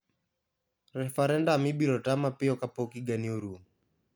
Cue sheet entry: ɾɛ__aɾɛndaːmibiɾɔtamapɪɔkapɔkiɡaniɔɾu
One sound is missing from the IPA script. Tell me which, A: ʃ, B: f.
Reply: B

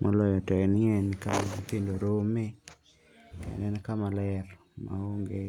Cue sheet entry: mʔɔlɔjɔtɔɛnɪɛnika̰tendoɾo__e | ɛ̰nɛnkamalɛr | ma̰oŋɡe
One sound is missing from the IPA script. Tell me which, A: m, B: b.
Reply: A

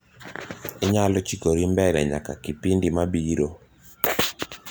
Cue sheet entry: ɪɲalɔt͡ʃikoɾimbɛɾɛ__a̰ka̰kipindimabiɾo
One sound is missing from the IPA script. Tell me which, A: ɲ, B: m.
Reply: A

